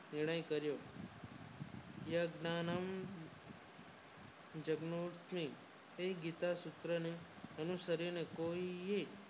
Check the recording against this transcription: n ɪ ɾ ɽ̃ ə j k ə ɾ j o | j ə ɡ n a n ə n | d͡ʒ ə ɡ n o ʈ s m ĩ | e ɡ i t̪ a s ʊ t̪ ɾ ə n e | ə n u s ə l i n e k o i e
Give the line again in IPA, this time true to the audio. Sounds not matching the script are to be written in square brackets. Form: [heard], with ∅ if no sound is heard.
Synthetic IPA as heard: n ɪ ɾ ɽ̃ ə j k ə ɾ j o | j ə ɡ n a n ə [m] | d͡ʒ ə ɡ n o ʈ s m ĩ | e ɡ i t̪ a s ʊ t̪ ɾ ə n e | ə n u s ə [ɾ] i n e k o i e